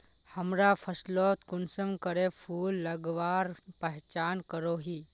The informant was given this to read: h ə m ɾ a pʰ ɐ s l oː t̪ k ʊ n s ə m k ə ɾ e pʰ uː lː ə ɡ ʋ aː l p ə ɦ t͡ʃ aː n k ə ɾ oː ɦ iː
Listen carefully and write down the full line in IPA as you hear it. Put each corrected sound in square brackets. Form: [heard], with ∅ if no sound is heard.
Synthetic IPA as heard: h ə m ɾ a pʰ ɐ s l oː t̪ k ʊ n s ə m k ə ɾ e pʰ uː lː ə ɡ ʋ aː [ɾ] p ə ɦ t͡ʃ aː n k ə ɾ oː ɦ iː